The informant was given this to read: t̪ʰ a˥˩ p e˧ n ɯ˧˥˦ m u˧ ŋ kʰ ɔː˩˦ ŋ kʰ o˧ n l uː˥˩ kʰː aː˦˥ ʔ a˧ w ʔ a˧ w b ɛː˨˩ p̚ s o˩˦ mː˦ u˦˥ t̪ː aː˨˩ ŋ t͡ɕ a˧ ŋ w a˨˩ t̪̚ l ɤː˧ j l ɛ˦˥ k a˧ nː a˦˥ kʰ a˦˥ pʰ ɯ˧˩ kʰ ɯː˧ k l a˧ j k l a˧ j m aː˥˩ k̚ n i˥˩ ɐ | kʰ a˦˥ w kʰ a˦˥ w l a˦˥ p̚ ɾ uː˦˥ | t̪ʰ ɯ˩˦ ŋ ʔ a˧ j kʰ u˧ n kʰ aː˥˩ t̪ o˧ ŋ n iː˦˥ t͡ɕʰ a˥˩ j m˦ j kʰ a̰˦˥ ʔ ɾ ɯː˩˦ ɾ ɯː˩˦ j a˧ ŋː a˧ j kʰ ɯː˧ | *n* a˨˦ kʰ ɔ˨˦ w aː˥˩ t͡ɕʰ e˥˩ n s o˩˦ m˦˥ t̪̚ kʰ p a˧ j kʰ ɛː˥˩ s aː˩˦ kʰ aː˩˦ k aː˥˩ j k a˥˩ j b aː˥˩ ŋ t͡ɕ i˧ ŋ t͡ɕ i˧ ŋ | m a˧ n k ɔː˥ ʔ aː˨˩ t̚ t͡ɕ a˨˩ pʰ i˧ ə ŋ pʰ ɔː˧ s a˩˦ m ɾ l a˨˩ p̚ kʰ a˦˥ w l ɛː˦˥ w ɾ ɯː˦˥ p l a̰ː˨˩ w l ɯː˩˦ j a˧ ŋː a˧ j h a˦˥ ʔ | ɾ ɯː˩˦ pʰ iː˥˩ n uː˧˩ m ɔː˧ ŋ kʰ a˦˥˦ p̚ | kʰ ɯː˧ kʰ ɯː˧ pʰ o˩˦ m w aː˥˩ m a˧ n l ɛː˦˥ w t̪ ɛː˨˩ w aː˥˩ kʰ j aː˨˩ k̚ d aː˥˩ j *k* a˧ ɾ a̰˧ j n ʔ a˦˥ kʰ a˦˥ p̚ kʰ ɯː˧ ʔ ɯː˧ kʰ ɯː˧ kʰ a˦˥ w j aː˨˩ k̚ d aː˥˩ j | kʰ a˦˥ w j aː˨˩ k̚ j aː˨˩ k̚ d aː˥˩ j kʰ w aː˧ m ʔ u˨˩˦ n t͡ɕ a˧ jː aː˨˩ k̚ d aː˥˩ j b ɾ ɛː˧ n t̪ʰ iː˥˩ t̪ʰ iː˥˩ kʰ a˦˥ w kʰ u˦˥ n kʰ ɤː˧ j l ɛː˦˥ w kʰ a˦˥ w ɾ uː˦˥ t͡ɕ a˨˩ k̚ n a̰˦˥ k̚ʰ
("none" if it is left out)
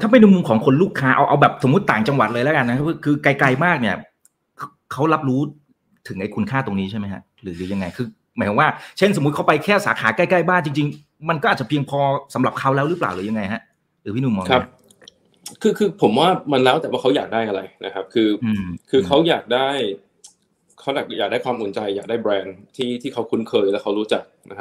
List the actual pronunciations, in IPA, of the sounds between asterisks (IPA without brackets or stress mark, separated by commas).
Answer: m, ʔ